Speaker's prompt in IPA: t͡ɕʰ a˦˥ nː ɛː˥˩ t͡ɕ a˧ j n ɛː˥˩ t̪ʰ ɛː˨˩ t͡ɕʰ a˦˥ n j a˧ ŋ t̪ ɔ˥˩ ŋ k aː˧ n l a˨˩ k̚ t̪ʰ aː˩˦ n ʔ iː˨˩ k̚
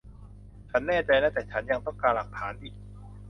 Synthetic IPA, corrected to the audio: t͡ɕʰ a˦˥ nː ɛː˥˩ t͡ɕ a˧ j n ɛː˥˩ t̪ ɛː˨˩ t͡ɕʰ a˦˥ n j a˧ ŋ t̪ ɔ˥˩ ŋ k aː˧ n l a˨˩ k̚ t̪ʰ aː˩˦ n ʔ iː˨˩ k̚